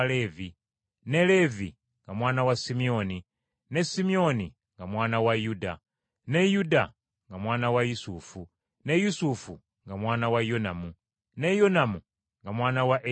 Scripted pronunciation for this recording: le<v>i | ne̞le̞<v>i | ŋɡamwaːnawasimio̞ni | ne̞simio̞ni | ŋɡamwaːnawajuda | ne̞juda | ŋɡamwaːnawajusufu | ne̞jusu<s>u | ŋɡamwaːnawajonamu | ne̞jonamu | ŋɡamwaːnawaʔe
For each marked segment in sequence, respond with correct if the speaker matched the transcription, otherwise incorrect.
correct, correct, incorrect

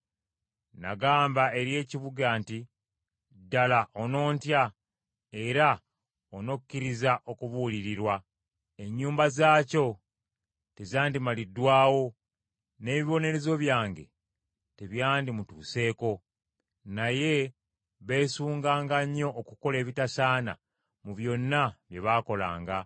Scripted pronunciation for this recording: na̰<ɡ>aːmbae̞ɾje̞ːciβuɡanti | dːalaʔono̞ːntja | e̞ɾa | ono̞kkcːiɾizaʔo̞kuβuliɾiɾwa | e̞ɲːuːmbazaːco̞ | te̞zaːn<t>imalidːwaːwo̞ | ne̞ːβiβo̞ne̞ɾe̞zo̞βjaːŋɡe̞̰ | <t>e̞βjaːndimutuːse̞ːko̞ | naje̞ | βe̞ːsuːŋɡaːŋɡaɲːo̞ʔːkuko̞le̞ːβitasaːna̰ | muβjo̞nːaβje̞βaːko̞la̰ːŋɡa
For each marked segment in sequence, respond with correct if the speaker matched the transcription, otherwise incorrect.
correct, incorrect, correct

